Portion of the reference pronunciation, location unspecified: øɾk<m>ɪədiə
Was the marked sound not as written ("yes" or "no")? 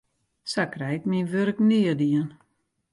yes